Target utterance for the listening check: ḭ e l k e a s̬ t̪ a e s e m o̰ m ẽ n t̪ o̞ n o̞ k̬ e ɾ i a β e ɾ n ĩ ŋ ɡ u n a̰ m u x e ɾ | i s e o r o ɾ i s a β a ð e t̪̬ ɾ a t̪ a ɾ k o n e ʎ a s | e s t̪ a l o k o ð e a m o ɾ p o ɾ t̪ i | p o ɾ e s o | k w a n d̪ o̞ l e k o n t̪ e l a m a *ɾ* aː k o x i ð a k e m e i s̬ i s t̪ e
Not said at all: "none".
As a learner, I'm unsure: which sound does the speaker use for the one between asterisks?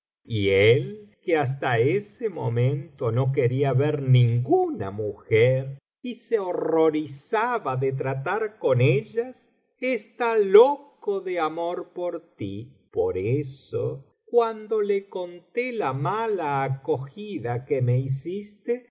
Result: l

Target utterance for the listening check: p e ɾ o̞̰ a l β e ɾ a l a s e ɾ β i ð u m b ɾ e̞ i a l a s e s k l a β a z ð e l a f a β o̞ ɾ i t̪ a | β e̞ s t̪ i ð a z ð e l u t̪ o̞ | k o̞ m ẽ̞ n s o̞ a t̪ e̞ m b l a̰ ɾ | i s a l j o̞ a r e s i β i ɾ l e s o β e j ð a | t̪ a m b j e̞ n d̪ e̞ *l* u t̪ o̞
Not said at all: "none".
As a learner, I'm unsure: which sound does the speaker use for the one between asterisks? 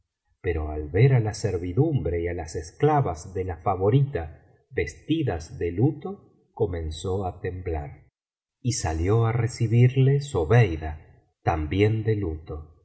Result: l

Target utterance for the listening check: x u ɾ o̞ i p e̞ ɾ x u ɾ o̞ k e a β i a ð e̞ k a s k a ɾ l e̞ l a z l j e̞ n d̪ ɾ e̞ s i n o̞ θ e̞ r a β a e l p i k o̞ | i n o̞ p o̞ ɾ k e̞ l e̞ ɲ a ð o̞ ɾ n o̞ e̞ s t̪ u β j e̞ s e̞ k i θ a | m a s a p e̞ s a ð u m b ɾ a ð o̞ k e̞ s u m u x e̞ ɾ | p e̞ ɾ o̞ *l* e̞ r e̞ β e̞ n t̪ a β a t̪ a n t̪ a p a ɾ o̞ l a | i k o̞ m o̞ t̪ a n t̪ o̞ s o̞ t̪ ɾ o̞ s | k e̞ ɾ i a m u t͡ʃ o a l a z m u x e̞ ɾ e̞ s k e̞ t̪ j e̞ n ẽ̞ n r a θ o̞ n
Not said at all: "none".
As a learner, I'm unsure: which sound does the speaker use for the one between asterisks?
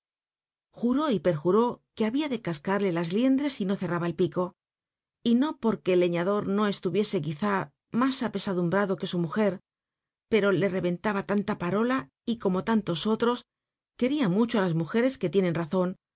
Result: l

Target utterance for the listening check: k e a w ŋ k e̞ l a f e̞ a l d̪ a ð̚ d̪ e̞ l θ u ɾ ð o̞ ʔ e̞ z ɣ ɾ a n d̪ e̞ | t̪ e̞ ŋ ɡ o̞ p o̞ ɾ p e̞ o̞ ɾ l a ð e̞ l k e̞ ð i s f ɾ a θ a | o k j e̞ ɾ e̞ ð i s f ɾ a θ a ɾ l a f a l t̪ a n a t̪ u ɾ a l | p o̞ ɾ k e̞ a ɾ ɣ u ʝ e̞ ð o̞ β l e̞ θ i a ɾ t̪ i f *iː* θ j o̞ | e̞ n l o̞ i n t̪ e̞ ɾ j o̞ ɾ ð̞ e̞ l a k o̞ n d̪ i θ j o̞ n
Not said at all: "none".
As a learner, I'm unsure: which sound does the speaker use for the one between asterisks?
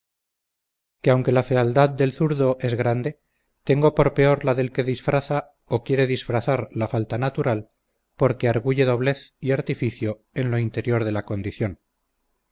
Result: i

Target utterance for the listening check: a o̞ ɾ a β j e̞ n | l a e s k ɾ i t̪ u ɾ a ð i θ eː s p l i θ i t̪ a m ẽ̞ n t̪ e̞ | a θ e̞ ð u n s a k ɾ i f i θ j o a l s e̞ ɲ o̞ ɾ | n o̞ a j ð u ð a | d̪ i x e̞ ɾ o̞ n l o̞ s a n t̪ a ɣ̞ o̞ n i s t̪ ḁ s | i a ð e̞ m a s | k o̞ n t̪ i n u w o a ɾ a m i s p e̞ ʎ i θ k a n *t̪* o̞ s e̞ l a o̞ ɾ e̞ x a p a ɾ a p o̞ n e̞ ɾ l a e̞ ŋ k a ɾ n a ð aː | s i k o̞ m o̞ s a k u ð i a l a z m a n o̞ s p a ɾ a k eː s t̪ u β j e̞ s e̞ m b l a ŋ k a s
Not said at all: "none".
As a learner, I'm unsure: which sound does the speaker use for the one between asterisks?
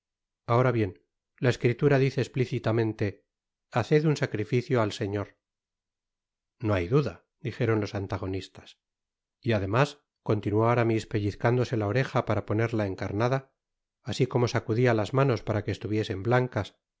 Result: d̪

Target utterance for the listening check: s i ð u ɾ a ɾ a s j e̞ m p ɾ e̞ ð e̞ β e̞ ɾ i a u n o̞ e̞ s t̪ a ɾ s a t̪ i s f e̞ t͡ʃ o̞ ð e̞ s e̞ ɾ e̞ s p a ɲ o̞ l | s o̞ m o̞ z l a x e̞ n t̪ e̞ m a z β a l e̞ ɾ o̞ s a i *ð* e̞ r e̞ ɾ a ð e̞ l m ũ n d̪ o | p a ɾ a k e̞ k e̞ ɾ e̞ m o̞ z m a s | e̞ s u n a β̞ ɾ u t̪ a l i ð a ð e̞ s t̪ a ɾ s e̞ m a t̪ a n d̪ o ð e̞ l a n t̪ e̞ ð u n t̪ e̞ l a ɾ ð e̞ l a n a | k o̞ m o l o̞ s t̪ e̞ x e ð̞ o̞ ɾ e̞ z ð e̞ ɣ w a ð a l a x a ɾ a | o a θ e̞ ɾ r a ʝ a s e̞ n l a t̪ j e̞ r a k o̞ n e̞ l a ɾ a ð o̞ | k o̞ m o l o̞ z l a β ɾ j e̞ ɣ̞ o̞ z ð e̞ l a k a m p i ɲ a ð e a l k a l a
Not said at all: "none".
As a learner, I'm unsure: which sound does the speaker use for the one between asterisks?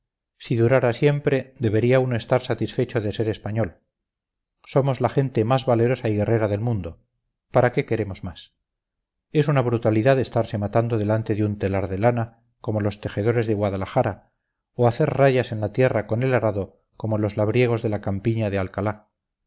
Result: ɣ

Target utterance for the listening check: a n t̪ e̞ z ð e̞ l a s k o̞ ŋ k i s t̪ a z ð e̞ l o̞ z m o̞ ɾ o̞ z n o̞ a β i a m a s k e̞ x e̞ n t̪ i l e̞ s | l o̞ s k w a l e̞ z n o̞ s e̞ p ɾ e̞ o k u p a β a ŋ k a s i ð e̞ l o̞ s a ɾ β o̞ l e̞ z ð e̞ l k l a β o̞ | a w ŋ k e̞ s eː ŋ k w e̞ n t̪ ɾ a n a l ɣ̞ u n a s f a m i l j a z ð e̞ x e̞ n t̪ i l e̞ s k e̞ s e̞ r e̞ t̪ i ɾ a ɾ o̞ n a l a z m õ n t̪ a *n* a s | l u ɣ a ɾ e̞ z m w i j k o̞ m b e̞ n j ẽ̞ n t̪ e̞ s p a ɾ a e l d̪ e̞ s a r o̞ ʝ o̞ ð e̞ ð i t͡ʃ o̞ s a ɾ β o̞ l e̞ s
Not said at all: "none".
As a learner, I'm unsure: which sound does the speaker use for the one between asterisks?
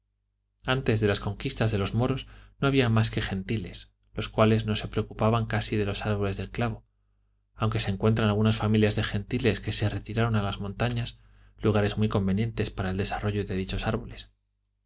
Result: ɲ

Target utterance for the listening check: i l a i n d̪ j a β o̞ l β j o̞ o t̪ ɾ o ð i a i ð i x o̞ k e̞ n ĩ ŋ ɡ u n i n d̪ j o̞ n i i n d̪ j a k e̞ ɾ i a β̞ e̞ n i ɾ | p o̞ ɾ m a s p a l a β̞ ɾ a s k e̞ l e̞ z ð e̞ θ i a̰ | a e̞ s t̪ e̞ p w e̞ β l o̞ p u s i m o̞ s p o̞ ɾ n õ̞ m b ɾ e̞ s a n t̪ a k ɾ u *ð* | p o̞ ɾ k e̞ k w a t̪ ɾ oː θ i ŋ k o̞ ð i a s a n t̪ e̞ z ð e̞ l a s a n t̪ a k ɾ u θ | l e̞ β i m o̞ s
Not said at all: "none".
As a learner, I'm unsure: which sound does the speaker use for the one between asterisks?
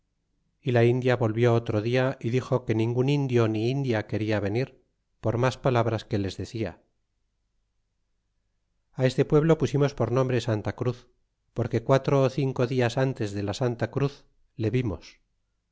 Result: θ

